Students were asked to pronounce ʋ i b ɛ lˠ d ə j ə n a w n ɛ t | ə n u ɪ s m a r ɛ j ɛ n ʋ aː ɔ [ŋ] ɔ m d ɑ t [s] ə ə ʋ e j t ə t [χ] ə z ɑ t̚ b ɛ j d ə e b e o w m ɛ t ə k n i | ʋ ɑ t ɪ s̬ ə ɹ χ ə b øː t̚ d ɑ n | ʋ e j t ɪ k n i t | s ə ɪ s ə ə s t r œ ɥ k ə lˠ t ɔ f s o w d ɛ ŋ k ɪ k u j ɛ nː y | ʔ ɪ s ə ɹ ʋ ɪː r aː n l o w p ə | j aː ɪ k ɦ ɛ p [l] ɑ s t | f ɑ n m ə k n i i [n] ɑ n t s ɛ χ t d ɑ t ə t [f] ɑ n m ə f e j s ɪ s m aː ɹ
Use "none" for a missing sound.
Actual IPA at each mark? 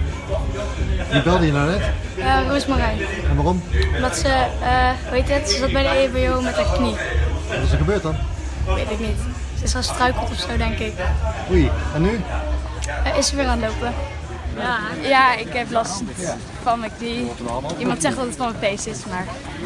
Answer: m, s, s, l, m, f

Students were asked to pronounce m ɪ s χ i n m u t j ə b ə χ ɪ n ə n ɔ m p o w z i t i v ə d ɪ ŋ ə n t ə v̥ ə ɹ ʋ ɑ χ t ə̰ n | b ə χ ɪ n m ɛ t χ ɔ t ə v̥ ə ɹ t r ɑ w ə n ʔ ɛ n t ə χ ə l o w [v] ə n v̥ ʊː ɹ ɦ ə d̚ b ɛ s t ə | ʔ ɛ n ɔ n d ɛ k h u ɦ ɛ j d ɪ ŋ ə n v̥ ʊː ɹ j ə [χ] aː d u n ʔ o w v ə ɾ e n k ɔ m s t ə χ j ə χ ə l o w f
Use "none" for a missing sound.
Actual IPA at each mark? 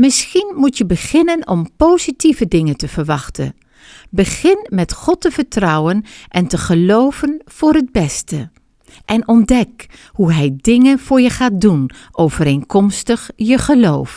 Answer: v, χ

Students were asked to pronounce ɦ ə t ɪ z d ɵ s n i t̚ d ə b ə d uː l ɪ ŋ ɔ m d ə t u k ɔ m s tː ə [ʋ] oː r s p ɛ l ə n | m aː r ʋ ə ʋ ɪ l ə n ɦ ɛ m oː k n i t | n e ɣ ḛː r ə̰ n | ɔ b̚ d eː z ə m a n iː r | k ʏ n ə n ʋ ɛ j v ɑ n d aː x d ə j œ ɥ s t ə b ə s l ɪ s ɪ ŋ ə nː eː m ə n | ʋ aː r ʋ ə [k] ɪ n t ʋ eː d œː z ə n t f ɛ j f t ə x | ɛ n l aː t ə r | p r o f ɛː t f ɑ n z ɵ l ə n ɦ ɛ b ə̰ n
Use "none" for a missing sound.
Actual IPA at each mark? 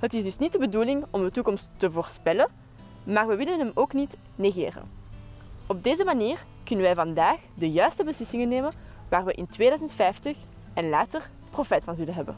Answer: v, ʔ

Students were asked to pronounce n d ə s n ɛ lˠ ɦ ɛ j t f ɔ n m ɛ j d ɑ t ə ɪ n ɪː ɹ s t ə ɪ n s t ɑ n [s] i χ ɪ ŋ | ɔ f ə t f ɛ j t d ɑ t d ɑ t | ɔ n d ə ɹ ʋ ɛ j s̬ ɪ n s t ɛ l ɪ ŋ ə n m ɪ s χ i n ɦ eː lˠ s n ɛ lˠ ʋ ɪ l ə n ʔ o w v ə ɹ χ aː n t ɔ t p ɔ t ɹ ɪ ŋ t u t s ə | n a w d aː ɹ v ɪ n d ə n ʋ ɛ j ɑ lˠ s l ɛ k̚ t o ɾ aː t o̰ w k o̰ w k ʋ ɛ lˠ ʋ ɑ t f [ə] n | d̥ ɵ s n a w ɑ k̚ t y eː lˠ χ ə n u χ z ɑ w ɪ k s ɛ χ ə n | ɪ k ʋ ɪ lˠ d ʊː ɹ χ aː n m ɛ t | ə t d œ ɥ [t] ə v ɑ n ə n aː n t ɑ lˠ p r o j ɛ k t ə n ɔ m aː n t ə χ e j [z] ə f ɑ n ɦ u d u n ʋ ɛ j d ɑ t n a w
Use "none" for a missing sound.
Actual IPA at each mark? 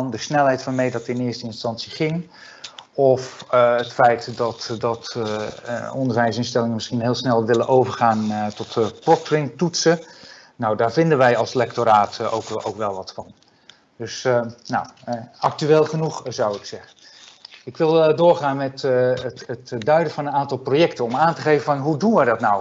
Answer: s, ɑ, d, v

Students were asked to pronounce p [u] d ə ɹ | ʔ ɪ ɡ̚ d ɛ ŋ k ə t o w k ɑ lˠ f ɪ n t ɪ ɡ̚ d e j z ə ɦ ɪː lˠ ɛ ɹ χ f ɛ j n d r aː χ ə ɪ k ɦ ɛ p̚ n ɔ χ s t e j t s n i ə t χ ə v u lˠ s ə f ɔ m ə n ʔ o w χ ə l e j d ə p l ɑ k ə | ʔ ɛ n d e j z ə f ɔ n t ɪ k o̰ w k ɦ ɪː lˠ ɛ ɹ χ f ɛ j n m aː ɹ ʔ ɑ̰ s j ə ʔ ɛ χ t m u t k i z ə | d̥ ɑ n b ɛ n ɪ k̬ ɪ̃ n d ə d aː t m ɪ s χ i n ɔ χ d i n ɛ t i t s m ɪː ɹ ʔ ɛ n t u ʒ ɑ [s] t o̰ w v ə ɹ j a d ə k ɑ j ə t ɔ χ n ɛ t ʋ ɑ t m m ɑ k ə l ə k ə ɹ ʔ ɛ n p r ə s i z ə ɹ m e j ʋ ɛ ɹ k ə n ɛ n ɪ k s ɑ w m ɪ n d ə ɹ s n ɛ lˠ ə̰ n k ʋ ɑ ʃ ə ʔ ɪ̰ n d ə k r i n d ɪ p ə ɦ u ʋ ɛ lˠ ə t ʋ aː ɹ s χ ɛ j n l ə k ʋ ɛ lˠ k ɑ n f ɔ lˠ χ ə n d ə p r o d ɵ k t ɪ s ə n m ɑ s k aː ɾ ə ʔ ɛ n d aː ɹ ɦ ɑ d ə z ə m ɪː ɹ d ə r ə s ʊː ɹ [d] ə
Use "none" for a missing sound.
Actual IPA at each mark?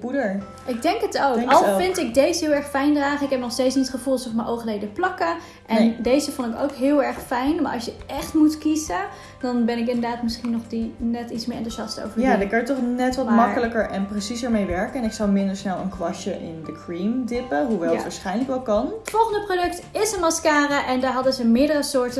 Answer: u, s, t

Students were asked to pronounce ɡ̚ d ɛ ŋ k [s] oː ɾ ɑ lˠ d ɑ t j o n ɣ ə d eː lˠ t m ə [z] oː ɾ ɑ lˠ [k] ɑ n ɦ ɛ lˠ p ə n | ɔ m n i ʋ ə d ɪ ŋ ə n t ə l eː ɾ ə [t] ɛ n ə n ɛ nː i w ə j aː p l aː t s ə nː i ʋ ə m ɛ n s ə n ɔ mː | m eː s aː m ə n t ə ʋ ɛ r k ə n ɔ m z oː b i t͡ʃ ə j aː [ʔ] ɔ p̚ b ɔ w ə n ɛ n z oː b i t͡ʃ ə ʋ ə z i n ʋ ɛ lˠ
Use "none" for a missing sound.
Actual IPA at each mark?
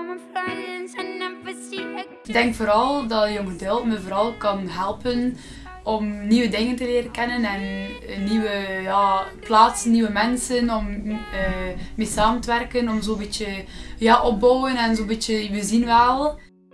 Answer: f, v, k, k, ʔ

